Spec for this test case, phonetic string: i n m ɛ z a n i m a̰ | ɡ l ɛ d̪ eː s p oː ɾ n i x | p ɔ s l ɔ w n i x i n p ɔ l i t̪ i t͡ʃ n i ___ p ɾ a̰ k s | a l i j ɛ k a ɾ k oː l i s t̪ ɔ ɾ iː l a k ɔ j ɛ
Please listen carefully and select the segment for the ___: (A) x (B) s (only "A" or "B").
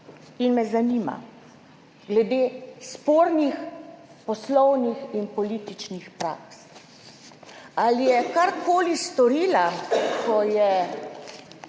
A